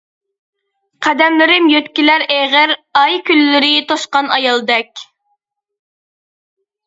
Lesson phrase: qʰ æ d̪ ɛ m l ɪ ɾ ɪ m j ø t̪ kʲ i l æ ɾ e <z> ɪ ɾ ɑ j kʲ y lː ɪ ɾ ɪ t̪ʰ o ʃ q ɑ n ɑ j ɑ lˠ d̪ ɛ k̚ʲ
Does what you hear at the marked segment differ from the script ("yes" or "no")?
yes